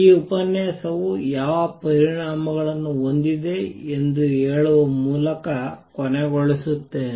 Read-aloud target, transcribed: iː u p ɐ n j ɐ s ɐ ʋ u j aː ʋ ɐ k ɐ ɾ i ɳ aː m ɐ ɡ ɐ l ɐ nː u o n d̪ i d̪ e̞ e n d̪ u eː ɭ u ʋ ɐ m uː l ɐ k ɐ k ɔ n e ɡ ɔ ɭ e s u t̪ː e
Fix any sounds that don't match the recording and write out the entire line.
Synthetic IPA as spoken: iː u p ɐ n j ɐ s ɐ ʋ u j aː ʋ ɐ p ɐ ɾ i ɳ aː m ɐ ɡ ɐ ɭ ɐ nː u o n d̪ i d̪ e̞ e n d̪ u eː ɭ u ʋ ɐ m uː l ɐ k ɐ k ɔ n e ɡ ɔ ɭ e s u t̪ː e